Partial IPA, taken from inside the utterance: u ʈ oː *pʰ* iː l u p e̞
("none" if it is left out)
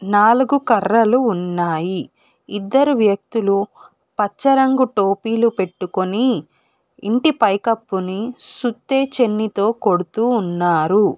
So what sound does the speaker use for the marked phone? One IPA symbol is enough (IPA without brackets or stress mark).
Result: p